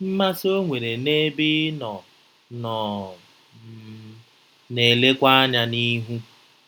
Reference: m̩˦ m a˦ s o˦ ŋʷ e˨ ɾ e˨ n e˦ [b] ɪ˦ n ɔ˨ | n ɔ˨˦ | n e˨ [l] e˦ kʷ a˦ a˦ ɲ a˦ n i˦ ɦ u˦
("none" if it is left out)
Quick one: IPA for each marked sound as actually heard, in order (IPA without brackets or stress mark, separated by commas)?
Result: b, l